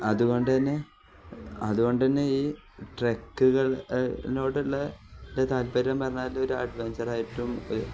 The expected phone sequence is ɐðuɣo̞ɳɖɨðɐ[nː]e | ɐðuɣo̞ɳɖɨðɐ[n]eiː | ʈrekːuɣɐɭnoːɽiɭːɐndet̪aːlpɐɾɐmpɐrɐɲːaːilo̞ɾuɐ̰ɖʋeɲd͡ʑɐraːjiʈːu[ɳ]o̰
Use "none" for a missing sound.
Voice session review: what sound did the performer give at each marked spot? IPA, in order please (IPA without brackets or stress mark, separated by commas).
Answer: nː, nː, m